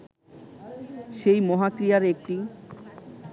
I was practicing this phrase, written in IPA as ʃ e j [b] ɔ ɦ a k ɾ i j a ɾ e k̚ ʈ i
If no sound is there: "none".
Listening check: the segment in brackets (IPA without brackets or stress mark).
m